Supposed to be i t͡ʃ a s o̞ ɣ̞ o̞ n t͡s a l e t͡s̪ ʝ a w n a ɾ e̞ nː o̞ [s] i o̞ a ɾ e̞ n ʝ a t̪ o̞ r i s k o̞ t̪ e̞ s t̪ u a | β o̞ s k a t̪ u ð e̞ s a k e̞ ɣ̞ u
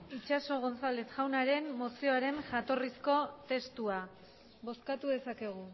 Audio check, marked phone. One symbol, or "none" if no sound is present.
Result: s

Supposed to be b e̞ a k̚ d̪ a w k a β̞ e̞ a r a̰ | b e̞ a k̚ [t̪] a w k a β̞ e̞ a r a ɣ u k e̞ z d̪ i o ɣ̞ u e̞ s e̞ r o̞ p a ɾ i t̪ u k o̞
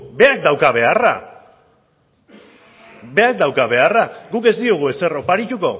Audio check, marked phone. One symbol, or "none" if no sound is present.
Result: d̪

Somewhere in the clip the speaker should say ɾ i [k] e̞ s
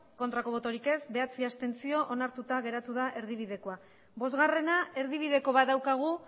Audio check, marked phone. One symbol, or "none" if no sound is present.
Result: k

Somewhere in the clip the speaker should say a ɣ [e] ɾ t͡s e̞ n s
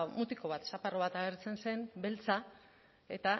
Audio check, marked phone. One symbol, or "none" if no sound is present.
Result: e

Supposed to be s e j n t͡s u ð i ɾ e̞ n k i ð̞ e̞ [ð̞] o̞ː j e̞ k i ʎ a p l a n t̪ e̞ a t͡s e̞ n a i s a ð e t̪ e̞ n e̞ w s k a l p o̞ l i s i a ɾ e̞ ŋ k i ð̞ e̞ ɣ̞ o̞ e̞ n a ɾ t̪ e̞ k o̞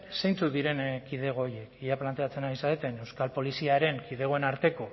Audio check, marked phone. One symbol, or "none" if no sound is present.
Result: ɣ̞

